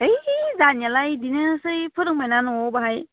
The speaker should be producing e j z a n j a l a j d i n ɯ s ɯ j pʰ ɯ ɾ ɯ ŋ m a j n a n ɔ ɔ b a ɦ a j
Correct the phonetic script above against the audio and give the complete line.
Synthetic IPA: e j z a n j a l a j d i n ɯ s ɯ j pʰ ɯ ɾ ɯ ŋ m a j n a n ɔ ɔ b a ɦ a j